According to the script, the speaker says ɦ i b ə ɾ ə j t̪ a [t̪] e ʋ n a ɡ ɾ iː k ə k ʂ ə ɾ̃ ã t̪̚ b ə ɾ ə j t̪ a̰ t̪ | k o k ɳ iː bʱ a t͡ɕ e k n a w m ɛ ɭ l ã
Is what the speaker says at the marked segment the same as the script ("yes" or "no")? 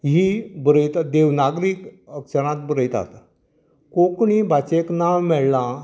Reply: no